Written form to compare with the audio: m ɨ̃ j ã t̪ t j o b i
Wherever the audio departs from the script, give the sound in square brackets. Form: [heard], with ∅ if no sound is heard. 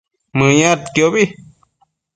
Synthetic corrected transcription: m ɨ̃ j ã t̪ [k] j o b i